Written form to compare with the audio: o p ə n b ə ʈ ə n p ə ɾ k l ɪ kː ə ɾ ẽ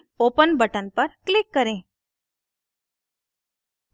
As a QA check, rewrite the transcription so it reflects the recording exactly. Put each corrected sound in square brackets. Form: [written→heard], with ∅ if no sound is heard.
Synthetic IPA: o p ə n b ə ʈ ə n p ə ɾ k l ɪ kː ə ɾ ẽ